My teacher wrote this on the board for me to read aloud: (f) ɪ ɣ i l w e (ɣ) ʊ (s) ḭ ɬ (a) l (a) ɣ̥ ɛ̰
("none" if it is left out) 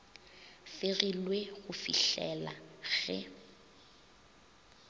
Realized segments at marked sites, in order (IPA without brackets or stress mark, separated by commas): f, ɣ, f, ɛ, a